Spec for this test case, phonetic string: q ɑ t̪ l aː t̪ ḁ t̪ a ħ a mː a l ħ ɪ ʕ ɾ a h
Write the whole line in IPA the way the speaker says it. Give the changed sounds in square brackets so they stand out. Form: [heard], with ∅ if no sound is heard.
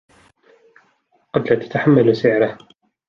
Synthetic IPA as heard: q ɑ [d̪] l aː t̪ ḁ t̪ a ħ a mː a l [s] ɪ ʕ ɾ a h